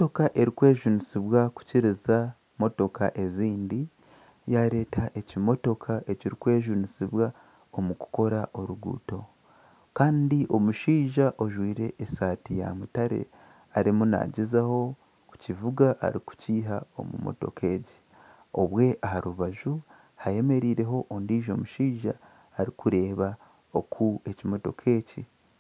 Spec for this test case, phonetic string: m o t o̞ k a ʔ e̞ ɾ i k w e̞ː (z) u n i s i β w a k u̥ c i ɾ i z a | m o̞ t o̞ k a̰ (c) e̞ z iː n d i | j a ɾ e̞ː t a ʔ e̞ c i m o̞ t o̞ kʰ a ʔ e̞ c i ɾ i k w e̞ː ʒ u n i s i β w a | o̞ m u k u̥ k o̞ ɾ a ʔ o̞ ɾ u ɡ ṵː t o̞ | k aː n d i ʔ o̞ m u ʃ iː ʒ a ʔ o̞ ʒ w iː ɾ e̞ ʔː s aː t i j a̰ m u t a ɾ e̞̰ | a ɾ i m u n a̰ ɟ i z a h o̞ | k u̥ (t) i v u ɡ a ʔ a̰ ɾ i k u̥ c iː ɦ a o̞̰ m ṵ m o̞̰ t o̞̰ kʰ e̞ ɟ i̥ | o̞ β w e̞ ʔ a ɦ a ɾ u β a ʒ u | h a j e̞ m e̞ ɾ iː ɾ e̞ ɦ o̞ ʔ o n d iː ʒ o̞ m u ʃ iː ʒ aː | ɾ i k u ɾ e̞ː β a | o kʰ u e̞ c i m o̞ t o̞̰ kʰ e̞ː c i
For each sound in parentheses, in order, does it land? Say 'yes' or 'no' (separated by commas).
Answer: no, no, no